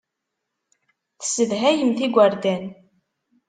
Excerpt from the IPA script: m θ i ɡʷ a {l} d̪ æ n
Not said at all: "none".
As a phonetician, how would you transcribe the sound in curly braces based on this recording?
ɾ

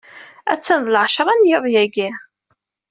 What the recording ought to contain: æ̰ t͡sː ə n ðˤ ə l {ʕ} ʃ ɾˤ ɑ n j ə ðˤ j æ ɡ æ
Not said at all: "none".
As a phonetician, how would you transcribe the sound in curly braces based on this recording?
ʕ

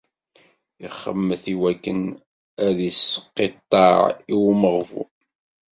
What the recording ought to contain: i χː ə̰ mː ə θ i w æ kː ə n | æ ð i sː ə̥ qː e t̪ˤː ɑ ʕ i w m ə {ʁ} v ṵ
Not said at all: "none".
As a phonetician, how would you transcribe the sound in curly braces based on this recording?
ʁ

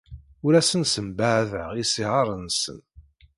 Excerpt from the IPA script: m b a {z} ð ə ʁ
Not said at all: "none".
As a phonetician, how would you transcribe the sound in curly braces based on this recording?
ʕ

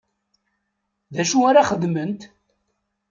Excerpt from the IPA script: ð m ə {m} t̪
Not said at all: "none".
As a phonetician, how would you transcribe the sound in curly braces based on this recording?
n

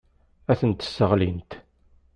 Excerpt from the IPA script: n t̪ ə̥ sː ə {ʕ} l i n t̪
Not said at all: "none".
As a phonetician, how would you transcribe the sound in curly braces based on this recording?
ʁ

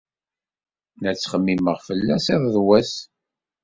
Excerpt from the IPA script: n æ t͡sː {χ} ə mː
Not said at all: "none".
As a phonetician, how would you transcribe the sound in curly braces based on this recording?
χ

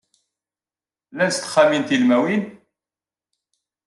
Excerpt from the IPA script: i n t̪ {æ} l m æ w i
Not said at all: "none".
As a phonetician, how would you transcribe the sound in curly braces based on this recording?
i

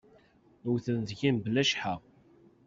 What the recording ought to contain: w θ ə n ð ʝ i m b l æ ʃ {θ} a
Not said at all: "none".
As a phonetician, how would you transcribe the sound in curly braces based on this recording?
ħ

